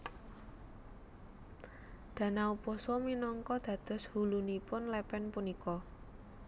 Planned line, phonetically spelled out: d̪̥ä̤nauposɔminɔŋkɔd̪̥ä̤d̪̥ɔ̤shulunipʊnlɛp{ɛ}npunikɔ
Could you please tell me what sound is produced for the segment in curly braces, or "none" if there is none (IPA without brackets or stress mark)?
ɛ